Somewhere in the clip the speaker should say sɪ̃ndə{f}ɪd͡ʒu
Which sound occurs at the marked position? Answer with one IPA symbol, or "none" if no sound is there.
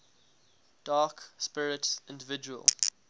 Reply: v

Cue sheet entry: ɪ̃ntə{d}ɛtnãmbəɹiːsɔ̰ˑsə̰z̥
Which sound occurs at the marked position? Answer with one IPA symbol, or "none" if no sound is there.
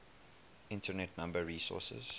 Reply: n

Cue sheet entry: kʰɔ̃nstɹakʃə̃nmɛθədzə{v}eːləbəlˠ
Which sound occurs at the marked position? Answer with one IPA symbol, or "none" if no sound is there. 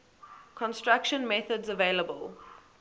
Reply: v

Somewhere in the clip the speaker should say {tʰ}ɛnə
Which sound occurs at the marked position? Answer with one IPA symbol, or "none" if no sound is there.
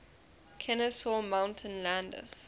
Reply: kʰ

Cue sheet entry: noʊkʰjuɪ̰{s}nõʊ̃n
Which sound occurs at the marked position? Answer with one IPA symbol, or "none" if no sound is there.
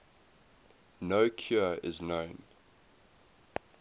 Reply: z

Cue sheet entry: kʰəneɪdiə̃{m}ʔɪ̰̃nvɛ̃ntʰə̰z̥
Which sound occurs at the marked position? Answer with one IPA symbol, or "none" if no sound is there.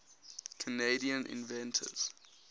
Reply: n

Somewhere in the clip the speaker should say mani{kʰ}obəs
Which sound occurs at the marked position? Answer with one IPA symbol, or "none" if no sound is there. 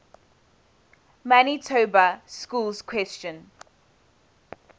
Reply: tʰ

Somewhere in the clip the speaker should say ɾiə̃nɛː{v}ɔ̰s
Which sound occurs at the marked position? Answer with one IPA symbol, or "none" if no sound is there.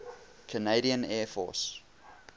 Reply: f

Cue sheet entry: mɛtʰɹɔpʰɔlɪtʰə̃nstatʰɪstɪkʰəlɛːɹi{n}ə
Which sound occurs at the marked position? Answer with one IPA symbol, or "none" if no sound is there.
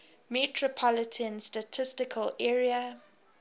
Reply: none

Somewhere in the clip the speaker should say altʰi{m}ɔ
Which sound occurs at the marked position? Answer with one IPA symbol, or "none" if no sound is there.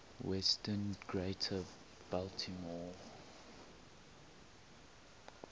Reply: m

